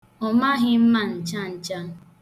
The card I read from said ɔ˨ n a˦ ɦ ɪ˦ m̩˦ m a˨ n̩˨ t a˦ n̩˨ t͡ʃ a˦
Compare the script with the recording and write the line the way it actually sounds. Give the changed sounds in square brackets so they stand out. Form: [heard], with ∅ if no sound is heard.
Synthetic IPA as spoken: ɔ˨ [m] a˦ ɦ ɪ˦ m̩˦ m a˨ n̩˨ [t͡ʃ] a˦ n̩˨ t͡ʃ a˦